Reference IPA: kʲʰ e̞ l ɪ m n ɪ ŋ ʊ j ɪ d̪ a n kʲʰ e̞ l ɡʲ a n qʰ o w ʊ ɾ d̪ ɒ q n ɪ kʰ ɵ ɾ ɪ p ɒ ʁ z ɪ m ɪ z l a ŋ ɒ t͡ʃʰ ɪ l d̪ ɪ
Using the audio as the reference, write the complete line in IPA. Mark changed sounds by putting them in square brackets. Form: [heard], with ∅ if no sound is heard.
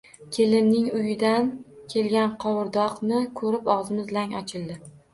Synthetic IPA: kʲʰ e̞ l ɪ m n ɪ ŋ ʊ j ɪ d̪ a n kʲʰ e̞ l ɡʲ a n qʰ [ɒ] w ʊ ɾ d̪ ɒ q n ɪ kʰ ɵ ɾ ɪ p ɒ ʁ z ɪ m ɪ z l a ŋ ɒ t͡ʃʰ ɪ l d̪ ɪ